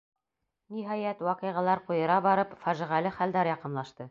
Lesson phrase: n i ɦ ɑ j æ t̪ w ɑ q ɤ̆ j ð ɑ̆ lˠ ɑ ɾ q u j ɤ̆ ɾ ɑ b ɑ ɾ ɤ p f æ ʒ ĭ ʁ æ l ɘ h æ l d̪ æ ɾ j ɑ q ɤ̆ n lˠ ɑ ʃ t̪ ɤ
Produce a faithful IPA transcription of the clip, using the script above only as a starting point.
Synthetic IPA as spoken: n i ɦ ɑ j æ t̪ w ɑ q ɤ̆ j ʁ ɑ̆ lˠ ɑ ɾ q u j ɤ̆ ɾ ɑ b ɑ ɾ ɤ p f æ ʒ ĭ ʁ æ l ɘ χ æ l d̪ æ ɾ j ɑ q ɤ̆ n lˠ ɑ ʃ t̪ ɤ